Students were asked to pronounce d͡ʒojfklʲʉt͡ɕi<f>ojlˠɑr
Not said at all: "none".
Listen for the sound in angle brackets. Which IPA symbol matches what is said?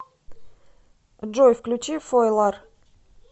f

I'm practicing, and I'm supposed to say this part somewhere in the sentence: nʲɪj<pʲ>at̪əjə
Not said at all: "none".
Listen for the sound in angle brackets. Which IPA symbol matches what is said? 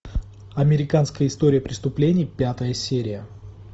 pʲ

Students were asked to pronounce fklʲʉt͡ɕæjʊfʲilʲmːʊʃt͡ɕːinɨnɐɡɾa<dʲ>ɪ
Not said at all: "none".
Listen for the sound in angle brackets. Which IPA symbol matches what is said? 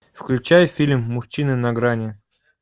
nʲ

